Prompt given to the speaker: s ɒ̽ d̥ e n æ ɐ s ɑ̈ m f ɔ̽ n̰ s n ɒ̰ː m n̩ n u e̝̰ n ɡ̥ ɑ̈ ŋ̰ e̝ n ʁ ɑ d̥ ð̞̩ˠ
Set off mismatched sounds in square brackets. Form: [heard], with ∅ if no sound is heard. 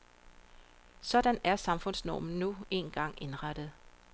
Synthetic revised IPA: s ɒ̽ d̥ [æ] n æ ɐ s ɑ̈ m f ɔ̽ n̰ s n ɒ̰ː m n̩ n u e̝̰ n ɡ̥ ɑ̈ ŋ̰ e̝ n ʁ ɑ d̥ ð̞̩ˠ